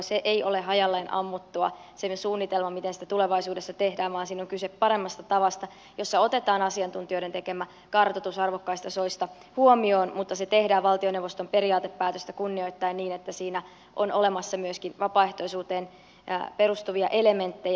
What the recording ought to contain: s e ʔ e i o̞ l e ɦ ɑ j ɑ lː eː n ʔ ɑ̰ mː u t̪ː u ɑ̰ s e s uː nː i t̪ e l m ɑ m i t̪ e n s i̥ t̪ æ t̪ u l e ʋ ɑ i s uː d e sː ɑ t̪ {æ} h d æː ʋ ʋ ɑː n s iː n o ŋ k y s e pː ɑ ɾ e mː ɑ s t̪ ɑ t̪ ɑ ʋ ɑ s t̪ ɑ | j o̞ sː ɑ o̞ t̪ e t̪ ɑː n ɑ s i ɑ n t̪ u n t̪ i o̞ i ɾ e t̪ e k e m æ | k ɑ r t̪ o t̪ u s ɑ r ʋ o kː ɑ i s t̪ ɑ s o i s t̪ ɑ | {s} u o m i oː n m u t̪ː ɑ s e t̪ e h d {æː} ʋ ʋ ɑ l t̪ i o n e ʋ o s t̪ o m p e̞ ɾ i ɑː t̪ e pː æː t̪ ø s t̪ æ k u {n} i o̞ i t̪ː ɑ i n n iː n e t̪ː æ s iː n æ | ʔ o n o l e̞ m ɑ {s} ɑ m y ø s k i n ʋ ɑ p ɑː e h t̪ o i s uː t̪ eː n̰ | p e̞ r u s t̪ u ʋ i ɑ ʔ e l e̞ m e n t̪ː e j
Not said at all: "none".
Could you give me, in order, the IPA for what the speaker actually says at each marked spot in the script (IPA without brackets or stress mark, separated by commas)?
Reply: e, h, æː, nː, sː